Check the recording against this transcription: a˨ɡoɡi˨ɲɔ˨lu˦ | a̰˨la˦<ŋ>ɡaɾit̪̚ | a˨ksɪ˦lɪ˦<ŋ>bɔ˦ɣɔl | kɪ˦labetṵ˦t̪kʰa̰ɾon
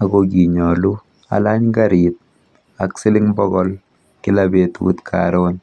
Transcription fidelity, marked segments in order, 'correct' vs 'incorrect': incorrect: ɲ, correct

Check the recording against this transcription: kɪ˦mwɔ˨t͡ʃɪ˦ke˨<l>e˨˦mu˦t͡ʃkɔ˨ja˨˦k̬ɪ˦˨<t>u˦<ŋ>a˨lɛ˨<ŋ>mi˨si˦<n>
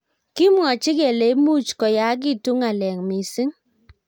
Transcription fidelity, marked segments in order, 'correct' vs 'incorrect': correct, correct, correct, correct, incorrect: ŋ

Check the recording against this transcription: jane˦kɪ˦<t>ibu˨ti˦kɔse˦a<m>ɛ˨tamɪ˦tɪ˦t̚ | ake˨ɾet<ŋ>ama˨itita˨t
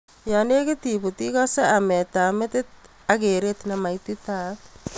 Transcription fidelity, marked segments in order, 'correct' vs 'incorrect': correct, correct, incorrect: n

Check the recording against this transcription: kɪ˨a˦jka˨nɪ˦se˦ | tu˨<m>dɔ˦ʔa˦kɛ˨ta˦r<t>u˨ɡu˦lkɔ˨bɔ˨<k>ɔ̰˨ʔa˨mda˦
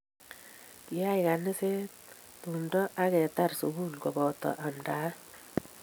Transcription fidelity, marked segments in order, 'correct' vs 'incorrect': incorrect: n, incorrect: s, incorrect: t

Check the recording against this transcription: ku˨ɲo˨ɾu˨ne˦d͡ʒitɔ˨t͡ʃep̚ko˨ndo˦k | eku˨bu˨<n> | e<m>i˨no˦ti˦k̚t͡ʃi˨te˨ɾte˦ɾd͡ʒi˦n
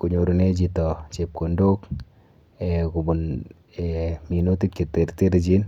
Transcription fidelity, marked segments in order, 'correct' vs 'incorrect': correct, correct

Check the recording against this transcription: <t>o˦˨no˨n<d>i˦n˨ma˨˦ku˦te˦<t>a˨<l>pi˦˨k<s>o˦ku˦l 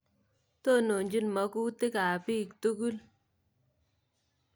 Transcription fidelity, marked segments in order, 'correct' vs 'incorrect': correct, incorrect: d͡ʒ, incorrect: k, incorrect: none, incorrect: t

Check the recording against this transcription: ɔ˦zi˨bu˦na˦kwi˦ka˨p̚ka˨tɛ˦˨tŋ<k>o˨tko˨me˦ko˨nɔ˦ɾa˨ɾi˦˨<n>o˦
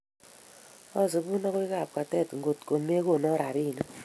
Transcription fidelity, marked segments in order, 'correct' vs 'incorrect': incorrect: ɡ, correct

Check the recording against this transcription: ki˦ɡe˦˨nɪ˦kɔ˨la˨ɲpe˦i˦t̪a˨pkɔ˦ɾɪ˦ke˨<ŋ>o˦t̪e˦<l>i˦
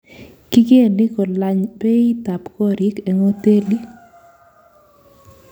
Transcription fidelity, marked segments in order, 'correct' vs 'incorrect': correct, correct

